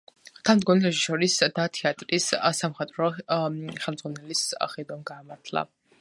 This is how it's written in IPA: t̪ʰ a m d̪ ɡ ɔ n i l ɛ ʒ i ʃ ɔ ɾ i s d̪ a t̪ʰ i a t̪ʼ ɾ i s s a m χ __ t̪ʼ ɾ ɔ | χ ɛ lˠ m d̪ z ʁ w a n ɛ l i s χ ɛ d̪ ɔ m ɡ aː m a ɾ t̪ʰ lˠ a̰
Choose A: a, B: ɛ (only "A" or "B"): B